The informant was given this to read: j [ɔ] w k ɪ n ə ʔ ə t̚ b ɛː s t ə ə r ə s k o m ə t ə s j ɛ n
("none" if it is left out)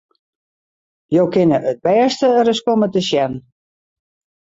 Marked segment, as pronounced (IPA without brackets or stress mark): o